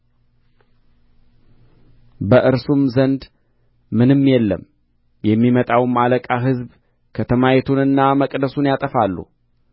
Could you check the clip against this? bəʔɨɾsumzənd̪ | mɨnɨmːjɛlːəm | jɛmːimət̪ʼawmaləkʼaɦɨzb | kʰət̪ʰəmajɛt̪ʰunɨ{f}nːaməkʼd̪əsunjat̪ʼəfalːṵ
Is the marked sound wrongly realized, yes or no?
yes